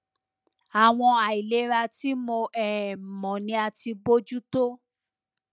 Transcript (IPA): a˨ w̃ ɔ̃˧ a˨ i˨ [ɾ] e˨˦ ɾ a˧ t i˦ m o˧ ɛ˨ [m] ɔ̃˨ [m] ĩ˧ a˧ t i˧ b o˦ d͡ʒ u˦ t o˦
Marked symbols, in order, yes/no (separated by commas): no, yes, no